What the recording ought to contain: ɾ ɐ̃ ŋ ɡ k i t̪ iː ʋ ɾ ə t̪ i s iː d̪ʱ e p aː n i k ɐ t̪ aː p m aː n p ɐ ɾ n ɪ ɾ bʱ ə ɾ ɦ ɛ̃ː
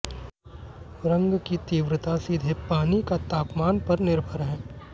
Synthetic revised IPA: ɾ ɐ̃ ŋ ɡ k i t̪ iː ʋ ɾ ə t̪ a s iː d̪ʱ e p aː n i k a t̪ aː p m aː n p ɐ ɾ n ɪ ɾ bʱ ə ɾ ɦ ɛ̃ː